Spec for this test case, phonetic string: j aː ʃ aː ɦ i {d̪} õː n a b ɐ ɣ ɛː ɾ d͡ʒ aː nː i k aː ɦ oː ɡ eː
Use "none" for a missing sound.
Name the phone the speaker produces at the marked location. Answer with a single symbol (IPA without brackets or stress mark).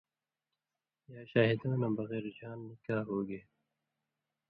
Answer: d̪